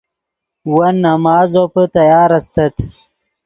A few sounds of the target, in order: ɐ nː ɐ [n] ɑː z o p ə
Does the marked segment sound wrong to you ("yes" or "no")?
yes